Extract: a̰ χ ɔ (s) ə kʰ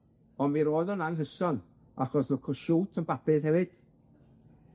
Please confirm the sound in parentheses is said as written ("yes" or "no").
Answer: yes